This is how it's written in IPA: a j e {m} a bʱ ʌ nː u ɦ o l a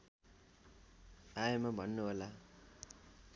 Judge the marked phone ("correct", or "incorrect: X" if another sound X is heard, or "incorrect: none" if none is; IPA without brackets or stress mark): correct